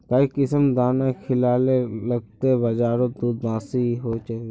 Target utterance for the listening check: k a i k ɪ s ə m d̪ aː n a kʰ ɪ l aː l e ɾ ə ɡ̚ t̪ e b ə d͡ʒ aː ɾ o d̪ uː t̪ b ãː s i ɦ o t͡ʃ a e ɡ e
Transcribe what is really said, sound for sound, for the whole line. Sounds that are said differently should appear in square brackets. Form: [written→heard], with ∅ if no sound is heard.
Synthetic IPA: k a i k ɪ s ə m d̪ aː n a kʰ ɪ l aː l e [ɾ→l] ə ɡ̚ t̪ e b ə d͡ʒ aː ɾ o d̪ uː [t̪→d̪] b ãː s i ɦ o t͡ʃ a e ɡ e